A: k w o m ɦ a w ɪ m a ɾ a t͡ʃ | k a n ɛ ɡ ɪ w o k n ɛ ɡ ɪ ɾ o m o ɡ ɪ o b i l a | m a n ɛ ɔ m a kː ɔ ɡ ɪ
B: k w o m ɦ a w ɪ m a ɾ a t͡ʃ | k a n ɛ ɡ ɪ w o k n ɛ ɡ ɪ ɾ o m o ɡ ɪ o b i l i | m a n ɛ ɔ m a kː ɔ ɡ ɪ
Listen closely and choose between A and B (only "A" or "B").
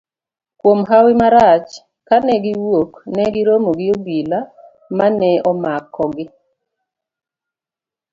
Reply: A